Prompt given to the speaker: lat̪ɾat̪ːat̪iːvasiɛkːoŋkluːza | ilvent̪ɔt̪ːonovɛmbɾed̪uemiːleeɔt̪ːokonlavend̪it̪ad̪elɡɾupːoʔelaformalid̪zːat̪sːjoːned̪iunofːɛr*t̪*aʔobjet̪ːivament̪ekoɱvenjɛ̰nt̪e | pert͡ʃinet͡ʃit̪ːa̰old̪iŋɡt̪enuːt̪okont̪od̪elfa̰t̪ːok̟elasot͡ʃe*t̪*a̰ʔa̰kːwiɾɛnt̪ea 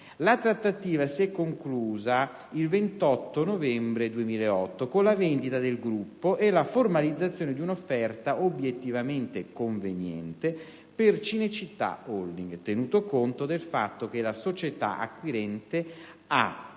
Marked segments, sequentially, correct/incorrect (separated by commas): correct, correct